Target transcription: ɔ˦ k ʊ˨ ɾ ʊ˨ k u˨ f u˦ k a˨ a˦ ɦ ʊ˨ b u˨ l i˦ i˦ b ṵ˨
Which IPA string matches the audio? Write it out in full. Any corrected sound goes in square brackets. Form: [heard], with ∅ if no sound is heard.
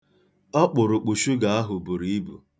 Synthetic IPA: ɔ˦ [k͡p] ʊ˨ ɾ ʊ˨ [k͡p] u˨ [ʃ] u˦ [ɡ] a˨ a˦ ɦ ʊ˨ b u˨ [ɾ] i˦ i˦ b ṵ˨